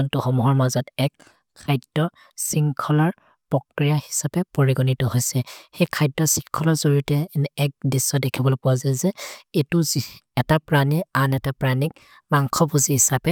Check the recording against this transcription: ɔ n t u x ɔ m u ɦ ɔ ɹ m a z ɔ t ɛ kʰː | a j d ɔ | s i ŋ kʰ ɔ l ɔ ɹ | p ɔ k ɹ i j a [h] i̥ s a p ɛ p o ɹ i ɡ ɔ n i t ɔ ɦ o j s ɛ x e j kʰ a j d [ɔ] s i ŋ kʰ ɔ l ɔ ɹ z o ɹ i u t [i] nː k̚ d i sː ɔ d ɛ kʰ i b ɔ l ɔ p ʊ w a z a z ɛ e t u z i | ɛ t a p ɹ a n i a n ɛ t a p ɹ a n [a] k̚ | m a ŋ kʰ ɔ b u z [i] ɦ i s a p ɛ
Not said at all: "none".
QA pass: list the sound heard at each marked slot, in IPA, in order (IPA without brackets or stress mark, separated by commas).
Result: h, ɔ, ɛ, i, i